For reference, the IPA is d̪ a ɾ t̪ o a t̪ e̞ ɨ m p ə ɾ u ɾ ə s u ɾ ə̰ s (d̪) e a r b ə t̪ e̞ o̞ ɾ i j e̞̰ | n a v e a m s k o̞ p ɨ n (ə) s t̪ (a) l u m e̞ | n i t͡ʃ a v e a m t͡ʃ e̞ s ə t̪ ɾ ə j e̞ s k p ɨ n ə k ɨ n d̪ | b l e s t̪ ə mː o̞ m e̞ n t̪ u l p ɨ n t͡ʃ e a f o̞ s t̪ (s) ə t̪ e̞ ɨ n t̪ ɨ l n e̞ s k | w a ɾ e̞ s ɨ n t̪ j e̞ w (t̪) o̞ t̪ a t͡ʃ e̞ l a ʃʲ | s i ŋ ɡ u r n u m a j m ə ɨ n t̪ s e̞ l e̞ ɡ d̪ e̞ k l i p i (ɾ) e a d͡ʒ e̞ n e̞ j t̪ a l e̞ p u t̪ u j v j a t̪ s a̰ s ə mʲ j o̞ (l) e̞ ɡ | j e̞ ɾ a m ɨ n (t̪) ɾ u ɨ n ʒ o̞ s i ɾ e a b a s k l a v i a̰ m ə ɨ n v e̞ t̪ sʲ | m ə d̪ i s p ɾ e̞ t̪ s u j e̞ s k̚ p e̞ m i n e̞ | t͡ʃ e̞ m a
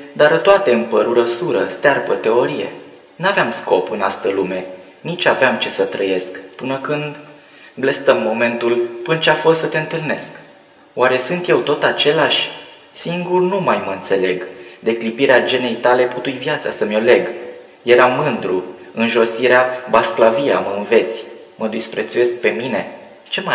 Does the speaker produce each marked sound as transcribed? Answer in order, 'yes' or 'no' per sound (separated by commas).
no, no, no, yes, yes, yes, yes, no